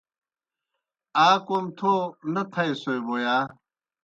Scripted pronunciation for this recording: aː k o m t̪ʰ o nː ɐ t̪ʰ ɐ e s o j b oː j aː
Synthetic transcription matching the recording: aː k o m t̪ʰ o n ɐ t̪ʰ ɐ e s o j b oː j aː

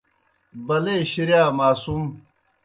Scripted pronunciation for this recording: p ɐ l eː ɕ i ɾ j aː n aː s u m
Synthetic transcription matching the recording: b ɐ l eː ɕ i ɾ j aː m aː s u m

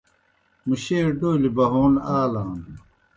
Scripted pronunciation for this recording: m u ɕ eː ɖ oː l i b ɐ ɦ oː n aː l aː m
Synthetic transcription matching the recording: m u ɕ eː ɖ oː l i b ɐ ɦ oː n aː l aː n

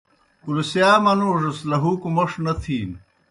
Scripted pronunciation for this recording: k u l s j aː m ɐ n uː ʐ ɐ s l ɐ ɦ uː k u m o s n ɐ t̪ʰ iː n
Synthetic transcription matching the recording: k u l s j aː m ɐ n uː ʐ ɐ s l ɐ ɦ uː k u m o ʂ n ɐ t̪ʰ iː n

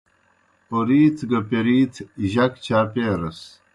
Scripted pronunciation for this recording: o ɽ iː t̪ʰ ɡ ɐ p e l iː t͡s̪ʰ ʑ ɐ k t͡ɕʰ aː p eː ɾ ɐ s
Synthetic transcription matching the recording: o ɾ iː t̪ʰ ɡ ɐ p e ɾ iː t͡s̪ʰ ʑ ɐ k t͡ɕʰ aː p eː ɾ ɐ s

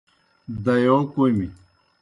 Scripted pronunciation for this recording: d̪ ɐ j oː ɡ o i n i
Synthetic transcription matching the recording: d̪ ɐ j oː k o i m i

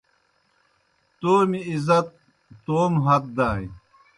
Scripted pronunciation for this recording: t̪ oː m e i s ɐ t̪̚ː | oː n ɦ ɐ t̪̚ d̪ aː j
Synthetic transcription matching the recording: t̪ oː m i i z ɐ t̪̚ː | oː m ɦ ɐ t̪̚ d̪ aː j

